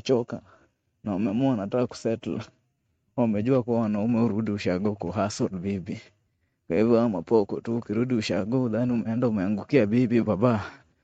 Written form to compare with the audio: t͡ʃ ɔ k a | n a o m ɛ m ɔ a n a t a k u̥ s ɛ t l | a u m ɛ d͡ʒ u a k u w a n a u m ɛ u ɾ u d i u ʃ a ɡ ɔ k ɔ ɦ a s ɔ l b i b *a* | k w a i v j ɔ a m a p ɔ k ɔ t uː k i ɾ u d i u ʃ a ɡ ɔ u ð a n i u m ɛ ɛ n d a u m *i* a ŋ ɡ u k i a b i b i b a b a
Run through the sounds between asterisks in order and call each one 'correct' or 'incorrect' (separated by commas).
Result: incorrect, incorrect